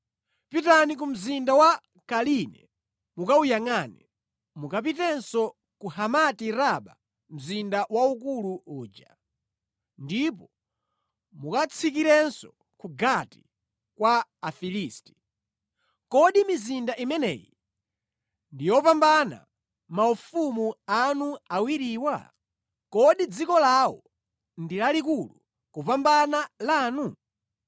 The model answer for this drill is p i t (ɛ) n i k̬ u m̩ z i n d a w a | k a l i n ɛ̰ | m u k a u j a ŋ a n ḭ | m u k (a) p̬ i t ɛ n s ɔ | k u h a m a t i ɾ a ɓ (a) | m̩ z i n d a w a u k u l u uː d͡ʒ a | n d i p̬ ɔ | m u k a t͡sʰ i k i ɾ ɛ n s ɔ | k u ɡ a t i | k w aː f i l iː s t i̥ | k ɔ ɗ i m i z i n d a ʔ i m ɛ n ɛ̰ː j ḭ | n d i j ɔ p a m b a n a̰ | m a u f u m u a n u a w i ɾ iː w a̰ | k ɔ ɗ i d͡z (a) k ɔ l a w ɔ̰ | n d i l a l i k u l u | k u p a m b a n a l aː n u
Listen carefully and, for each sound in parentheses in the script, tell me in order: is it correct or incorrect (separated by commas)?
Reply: incorrect, correct, correct, incorrect